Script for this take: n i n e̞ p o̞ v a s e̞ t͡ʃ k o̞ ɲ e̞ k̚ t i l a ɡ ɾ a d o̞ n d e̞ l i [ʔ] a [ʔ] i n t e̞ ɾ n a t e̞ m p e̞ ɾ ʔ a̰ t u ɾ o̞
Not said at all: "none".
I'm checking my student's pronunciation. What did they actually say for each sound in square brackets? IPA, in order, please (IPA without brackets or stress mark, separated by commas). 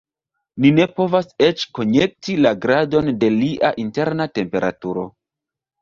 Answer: ʔ, ʔ